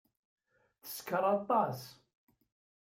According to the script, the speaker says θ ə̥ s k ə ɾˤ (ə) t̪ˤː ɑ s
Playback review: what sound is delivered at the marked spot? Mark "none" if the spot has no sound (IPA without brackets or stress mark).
ɑ